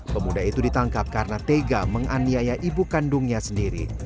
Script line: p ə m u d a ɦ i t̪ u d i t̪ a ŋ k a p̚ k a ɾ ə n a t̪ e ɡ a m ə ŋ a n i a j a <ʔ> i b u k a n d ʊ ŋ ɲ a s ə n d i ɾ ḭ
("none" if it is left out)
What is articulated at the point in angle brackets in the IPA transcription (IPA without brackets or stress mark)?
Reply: ʔ